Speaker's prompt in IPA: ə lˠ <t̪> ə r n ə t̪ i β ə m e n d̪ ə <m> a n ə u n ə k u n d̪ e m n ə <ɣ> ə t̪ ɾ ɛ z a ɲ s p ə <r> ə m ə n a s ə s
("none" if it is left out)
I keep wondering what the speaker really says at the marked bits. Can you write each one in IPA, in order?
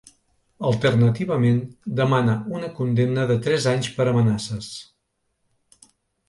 t̪, m, ð, ɾ

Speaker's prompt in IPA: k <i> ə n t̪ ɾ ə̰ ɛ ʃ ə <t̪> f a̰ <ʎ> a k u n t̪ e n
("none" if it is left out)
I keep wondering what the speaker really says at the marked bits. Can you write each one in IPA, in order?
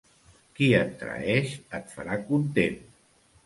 i, t̪, ɾ

